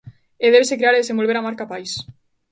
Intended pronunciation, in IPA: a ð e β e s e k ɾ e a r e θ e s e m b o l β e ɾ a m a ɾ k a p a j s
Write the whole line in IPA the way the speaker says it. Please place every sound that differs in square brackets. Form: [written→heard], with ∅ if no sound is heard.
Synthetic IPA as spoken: [a→e] ð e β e s e k ɾ e a [r→ɾ] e [θ→ð] e s e m b o l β e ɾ a m a ɾ k a p a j s